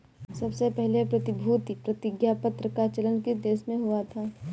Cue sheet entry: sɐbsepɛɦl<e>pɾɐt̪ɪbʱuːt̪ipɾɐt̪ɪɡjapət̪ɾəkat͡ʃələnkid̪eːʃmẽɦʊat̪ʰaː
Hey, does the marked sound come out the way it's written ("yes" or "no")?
yes